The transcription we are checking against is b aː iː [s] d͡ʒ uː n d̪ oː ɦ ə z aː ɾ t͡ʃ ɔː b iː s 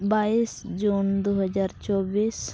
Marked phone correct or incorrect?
correct